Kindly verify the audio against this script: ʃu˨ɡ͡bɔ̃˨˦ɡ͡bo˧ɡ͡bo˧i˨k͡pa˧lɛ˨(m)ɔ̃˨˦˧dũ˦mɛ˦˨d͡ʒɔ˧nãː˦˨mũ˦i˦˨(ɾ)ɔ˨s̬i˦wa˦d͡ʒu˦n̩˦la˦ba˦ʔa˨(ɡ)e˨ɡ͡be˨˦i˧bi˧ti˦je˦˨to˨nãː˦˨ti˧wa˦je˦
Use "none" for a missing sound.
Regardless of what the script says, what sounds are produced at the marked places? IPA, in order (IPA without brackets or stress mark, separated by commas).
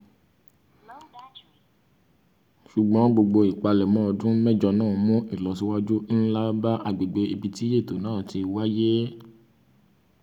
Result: m, l, ɡ͡b